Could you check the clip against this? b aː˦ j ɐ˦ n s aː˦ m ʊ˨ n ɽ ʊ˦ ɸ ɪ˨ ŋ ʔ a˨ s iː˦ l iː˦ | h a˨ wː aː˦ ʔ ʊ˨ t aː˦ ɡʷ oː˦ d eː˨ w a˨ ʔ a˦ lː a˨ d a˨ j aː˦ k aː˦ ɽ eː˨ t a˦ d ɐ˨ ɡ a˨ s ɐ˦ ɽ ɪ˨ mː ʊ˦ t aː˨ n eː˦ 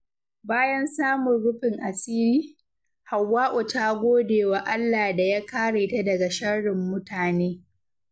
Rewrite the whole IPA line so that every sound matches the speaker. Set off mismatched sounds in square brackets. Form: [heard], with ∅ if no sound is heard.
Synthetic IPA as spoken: b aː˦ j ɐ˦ n s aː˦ m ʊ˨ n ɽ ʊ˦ ɸ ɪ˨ ŋ ʔ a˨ s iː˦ l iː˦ | h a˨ wː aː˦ ʔ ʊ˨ t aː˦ ɡʷ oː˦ d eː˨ w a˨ ʔ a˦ lː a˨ d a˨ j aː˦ k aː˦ ɽ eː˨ t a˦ d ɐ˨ ɡ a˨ [ʃ] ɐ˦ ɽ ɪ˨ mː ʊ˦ t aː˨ n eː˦